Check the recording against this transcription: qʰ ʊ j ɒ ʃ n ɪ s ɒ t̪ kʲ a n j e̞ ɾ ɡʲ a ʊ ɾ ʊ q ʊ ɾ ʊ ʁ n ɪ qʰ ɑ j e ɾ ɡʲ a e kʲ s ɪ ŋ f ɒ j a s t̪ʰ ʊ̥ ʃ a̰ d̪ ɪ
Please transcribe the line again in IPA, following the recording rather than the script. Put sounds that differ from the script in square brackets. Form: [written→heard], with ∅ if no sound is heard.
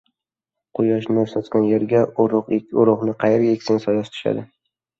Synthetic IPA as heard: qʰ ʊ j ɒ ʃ n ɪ s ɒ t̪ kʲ a n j e̞ ɾ ɡʲ a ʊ ɾ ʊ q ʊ ɾ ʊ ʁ n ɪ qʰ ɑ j e ɾ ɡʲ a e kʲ s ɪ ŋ [f→s] ɒ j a s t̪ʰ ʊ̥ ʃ a̰ d̪ ɪ